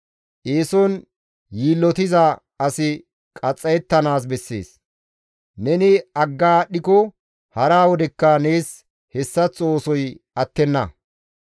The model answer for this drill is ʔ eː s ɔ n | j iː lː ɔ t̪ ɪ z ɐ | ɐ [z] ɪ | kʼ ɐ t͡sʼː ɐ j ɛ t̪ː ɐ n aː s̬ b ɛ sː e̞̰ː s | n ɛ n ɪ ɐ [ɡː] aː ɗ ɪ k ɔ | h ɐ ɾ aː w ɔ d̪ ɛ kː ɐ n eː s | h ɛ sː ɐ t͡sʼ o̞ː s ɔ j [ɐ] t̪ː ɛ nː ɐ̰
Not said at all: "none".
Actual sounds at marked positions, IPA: s, ɡː, ɐ

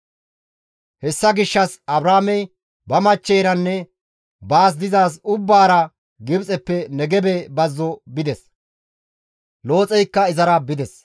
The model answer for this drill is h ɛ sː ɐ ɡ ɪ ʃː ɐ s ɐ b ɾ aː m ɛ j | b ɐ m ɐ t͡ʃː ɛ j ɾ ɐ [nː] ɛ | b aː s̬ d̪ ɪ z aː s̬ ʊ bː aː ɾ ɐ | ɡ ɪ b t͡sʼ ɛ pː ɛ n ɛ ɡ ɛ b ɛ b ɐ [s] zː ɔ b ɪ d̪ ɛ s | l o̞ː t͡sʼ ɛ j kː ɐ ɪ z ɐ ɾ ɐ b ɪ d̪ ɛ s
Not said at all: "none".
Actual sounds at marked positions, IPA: nː, none

